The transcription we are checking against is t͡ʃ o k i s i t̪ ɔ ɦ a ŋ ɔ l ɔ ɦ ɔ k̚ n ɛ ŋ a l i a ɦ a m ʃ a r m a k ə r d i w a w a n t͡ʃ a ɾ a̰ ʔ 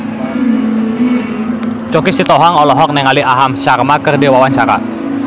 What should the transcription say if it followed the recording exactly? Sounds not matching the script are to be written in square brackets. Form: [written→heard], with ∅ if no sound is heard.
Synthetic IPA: t͡ʃ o k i s i t̪ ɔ ɦ a ŋ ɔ l ɔ ɦ ɔ k̚ n ɛ ŋ a l i a ɦ a m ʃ a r m a k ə r d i w a w a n t͡ʃ a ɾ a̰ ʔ